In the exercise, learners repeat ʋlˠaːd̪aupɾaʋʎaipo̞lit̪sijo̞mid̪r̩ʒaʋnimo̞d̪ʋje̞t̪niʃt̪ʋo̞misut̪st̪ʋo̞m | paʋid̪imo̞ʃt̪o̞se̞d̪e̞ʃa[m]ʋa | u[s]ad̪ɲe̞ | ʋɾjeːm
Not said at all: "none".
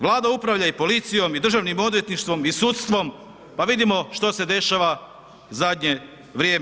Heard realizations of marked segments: none, z

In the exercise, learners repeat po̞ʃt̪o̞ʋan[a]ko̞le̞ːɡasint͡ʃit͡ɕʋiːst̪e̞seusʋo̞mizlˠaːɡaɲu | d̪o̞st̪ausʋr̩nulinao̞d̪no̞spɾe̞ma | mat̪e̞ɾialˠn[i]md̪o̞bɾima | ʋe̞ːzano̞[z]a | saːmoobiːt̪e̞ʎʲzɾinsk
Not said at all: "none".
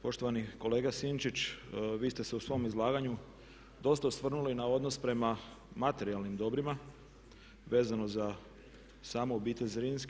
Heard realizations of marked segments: i, i, z

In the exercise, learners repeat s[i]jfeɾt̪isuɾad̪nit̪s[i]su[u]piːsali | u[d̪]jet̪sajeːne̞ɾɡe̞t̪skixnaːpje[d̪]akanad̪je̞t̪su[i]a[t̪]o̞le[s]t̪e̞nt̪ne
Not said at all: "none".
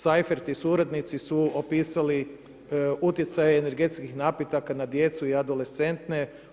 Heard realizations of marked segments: a, i, o, t̪, t̪, i, d̪, s

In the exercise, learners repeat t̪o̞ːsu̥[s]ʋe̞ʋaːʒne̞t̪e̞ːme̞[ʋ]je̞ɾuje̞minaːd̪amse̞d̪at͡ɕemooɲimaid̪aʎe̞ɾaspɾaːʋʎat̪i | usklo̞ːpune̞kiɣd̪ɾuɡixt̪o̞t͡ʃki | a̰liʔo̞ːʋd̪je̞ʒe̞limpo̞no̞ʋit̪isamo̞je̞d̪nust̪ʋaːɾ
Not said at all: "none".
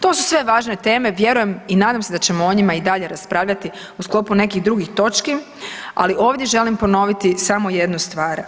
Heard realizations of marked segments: s, ʋ

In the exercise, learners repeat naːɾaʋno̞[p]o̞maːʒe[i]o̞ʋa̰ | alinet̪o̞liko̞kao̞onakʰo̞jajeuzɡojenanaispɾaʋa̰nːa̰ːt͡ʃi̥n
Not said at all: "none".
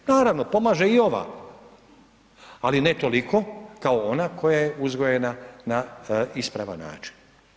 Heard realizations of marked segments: p, i

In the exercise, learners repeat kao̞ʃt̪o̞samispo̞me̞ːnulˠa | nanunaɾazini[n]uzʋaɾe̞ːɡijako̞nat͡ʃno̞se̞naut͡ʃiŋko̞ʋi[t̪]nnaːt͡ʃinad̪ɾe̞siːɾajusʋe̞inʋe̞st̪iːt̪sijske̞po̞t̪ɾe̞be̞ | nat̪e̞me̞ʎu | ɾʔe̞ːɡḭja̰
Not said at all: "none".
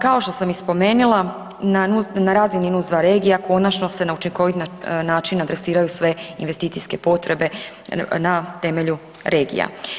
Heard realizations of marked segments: n, t̪

